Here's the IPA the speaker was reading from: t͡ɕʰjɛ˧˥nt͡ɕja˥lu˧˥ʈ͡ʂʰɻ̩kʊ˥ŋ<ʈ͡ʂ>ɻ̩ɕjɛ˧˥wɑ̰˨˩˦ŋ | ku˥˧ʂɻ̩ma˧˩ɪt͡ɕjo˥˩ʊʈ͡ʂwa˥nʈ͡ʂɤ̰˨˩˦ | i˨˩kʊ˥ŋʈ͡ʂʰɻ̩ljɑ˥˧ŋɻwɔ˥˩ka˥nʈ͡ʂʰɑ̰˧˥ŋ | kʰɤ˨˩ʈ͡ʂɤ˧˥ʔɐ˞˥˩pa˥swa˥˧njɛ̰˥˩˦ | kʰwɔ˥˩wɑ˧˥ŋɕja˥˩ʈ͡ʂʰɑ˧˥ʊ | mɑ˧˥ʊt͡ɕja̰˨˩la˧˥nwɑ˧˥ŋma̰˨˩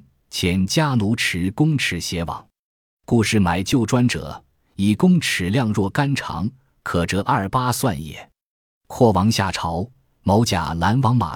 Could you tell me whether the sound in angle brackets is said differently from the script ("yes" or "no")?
yes